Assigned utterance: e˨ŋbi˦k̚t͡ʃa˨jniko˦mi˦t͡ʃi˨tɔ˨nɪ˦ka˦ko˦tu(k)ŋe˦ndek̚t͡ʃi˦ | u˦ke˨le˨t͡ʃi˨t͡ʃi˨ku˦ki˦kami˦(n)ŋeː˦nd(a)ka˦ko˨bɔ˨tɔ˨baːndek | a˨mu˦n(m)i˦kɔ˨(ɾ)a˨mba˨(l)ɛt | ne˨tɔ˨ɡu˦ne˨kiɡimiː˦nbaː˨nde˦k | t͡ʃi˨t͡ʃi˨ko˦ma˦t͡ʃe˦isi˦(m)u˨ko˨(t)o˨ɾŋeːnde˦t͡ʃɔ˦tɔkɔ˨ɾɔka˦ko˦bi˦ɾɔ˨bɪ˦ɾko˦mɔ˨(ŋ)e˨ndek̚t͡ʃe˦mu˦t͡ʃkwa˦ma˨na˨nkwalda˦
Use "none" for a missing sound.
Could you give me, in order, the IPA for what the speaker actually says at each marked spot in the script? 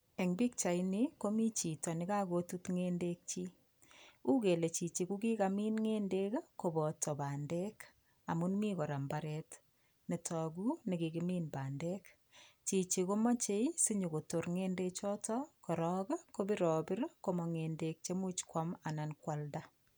t, n, e, m, ɾ, ɾ, ɲ, t, ŋ

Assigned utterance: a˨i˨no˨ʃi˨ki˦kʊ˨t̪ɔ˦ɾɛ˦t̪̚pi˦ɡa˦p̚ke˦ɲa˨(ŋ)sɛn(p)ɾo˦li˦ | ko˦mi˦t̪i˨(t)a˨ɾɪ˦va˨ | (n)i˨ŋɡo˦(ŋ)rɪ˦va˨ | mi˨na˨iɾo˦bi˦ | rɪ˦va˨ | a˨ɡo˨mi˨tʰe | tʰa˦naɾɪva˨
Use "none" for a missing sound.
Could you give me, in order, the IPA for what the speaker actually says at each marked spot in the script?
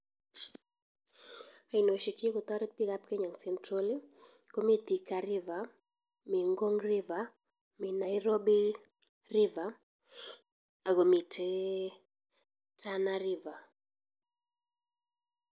ŋ, t, k, m, ŋ

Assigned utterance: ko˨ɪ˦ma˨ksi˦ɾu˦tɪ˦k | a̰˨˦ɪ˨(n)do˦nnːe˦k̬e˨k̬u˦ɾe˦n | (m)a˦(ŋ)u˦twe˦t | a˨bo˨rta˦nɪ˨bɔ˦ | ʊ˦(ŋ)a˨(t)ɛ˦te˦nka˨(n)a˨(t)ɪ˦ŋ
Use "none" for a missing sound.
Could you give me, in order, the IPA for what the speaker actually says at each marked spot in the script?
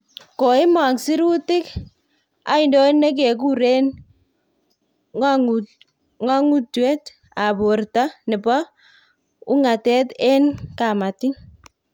n, ŋ, ŋ, ŋ, t, m, t

